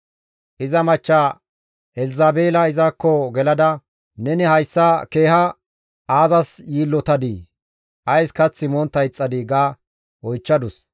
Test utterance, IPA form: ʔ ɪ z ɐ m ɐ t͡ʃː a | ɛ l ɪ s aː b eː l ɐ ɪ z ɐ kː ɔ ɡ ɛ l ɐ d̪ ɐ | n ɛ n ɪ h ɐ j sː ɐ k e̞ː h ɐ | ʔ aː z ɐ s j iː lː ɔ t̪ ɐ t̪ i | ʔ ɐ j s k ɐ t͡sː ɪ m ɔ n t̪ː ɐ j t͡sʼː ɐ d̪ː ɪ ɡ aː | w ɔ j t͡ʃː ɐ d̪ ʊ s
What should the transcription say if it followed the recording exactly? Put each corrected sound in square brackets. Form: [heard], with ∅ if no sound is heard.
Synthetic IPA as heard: ʔ ɪ z ɐ m ɐ t͡ʃː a | ɛ l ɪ [z] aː b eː l ɐ ɪ z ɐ kː ɔ ɡ ɛ l ɐ d̪ ɐ | n ɛ n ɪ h ɐ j sː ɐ k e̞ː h ɐ | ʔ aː z ɐ s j iː lː ɔ t̪ ɐ [d̪] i | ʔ ɐ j s k ɐ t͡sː ɪ m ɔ n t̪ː ɐ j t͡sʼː ɐ [d̪] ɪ ɡ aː | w ɔ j t͡ʃː ɐ d̪ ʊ s